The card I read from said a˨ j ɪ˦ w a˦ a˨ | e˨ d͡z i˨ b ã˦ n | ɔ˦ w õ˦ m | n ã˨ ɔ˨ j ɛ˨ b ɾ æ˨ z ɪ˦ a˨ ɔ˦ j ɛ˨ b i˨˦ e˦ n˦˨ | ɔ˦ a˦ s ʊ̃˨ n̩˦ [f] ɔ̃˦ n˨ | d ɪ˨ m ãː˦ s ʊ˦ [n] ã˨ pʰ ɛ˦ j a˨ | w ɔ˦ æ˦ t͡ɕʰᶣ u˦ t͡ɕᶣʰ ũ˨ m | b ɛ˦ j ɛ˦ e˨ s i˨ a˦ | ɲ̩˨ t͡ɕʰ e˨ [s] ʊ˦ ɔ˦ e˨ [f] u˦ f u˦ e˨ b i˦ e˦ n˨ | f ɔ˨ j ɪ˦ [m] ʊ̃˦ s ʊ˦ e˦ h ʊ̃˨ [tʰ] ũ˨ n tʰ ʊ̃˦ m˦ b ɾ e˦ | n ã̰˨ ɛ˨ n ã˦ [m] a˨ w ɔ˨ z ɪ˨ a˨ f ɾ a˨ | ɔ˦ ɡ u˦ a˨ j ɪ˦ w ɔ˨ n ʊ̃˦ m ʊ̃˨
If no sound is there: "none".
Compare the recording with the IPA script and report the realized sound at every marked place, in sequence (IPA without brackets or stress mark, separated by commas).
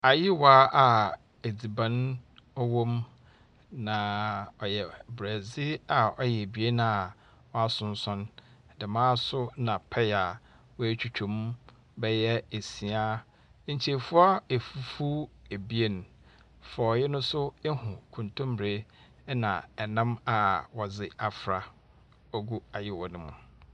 s, n, f, f, n, kʰ, m